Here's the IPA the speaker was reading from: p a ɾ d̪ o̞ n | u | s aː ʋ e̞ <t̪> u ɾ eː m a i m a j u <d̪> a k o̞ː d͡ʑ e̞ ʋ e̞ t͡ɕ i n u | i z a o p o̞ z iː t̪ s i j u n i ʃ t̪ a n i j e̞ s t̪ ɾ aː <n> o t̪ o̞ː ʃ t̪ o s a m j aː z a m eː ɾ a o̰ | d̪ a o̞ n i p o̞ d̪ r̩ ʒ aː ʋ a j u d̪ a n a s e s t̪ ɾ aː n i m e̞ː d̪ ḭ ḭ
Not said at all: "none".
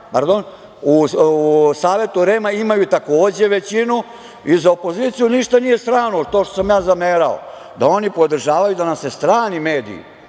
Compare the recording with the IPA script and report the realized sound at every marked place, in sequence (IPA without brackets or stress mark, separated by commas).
t̪, t̪, n